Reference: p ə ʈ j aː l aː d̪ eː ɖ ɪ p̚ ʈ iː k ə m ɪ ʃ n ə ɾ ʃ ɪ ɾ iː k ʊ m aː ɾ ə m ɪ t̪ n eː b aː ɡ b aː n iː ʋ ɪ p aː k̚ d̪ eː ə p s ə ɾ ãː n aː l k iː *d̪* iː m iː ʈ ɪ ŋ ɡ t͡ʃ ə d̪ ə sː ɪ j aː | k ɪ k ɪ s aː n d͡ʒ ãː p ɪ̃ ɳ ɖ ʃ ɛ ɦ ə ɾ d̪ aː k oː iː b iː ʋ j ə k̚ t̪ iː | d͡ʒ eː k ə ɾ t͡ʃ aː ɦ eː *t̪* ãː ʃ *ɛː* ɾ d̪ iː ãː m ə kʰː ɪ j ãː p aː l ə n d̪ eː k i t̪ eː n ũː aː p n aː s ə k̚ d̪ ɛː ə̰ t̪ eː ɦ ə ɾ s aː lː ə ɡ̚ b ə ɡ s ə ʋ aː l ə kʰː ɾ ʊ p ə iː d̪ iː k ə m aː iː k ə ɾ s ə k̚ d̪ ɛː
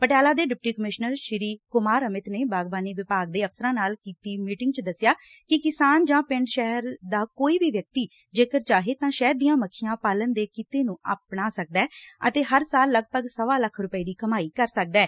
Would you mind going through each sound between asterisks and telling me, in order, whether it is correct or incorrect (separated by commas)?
incorrect, correct, correct